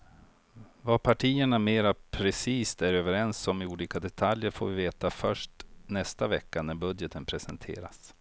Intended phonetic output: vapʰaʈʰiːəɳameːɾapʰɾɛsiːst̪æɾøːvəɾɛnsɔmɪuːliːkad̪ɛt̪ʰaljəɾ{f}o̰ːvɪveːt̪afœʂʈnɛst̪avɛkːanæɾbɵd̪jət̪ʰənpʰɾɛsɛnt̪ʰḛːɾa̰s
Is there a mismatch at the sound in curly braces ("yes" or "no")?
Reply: no